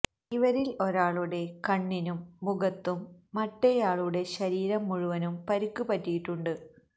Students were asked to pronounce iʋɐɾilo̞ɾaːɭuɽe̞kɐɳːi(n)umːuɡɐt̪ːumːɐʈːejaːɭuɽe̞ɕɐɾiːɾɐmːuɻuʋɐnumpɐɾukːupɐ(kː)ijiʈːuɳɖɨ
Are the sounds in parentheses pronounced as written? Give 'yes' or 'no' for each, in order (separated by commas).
yes, no